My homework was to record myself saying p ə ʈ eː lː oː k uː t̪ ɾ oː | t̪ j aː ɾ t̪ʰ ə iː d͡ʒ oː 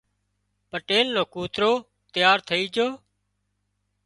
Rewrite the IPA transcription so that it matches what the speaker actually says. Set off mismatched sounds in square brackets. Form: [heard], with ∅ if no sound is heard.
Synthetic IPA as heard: p ə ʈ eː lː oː k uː t̪ ɾ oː | t̪ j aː ɾ t̪ʰ ə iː d͡ʒ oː

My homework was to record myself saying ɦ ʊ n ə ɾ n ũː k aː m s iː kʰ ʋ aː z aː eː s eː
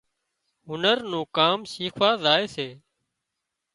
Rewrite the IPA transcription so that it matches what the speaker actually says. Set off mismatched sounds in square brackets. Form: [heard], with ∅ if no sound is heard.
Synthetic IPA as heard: ɦ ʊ n ə ɾ n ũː k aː m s iː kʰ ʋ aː z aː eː s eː

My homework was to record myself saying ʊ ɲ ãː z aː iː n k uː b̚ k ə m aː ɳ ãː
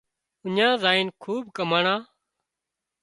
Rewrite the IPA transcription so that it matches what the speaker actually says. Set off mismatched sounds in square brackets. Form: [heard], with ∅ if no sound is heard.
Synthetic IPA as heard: ʊ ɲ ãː z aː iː n [kʰ] uː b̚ k ə m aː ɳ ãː

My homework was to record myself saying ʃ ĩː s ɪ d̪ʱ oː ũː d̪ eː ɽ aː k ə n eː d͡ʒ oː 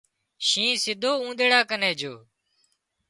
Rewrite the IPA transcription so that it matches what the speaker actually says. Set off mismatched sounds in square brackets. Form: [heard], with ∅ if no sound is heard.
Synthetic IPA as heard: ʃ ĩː s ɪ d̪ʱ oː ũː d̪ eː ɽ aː k ə n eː d͡ʒ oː

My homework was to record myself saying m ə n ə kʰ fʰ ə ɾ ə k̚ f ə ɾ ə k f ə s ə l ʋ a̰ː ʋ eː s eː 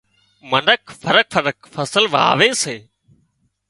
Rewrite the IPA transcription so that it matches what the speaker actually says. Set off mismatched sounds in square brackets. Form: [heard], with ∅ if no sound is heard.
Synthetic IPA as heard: m ə n ə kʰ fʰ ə ɾ ə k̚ f ə ɾ ə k f ə s ə l ʋ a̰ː ʋ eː s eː

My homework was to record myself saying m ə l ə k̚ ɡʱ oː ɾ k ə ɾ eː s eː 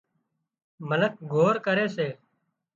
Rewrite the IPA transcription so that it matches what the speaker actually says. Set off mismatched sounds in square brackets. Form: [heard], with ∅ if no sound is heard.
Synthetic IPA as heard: m ə l ə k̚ ɡʱ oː ɾ k ə ɾ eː s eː

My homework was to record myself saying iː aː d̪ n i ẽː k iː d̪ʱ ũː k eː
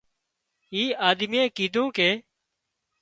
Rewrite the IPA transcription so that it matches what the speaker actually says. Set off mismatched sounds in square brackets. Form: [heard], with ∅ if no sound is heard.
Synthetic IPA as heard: iː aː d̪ [m] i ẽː k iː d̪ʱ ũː k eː

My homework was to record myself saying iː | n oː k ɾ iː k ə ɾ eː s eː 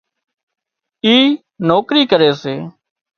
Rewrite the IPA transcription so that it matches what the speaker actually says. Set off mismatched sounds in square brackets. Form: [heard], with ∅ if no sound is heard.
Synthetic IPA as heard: iː | n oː k ɾ iː k ə ɾ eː s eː

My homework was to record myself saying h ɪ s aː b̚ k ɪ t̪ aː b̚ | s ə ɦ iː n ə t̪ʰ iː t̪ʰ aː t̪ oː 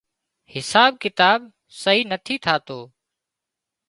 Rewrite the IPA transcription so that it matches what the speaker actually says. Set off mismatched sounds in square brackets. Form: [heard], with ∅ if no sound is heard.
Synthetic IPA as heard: h ɪ s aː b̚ k ɪ t̪ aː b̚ | s ə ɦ iː n ə t̪ʰ iː t̪ʰ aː t̪ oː

